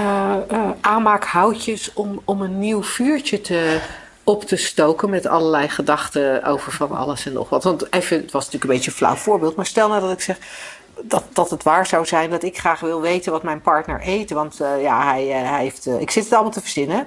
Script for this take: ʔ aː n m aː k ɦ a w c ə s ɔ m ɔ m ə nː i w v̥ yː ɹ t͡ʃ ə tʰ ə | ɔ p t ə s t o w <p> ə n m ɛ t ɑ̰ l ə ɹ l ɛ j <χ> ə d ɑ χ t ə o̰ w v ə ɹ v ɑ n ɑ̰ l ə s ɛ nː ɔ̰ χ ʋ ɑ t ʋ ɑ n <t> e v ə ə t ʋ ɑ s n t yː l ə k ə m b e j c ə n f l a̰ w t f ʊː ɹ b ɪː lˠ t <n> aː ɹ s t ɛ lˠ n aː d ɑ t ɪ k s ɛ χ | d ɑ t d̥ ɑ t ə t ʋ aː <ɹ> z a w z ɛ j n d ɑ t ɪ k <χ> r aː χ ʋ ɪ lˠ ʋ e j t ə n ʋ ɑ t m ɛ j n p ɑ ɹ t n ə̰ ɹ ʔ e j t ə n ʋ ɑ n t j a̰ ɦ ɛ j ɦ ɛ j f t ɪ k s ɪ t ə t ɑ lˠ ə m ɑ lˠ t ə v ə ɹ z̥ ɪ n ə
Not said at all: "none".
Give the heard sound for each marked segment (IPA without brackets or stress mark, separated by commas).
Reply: k, χ, t, m, ɹ, χ